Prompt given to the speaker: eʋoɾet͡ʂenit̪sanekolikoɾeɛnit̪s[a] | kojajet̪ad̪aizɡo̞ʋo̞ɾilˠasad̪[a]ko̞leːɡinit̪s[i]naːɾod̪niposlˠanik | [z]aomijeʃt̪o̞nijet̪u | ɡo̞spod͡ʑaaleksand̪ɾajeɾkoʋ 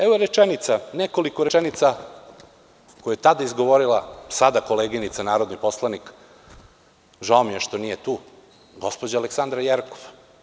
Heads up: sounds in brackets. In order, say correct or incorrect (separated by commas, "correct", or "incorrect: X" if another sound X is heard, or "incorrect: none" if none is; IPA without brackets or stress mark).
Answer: correct, correct, incorrect: a, incorrect: ʒ